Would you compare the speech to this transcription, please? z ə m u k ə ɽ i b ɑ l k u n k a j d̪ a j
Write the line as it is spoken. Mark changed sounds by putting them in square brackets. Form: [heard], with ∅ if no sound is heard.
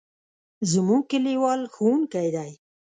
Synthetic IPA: z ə m u k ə [l] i [w] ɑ l [x] u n k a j d̪ a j